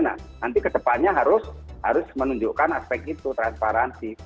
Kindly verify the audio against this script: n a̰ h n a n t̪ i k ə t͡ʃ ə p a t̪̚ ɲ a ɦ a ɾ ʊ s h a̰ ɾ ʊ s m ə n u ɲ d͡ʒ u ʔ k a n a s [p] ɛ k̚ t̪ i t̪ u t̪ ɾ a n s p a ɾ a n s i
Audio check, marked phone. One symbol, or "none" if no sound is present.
p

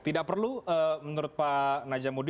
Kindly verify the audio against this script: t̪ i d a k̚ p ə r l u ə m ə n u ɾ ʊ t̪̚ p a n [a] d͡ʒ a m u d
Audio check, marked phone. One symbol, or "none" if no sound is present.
a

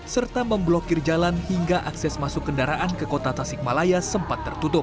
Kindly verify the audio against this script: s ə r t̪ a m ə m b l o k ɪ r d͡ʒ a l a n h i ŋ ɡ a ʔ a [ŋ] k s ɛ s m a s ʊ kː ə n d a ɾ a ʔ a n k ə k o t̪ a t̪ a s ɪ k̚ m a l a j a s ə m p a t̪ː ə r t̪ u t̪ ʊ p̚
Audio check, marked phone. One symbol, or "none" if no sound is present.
none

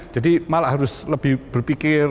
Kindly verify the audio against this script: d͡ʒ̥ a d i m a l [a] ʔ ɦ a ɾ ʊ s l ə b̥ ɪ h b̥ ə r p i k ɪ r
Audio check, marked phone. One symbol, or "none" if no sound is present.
a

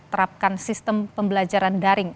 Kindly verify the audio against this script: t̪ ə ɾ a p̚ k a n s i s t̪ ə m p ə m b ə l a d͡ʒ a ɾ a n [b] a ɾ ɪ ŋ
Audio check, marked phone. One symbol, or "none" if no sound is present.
d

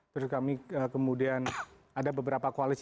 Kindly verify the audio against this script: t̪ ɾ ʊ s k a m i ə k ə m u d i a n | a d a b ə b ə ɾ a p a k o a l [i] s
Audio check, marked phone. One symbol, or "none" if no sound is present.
i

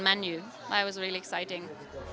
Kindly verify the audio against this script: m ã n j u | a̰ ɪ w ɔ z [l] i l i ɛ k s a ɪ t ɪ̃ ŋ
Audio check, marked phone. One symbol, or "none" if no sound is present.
ɹ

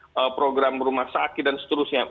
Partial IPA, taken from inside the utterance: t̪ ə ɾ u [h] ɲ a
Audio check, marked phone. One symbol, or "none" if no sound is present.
s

